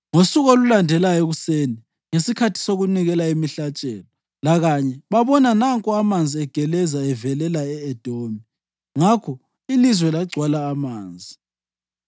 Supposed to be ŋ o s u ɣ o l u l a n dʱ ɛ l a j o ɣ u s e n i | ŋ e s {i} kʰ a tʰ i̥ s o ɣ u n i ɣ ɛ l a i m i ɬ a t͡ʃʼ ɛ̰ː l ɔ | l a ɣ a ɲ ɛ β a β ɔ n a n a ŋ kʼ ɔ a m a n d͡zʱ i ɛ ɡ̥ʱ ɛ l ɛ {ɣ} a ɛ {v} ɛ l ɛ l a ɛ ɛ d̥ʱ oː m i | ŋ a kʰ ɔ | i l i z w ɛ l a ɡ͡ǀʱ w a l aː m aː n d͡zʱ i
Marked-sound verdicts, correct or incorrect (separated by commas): correct, incorrect, correct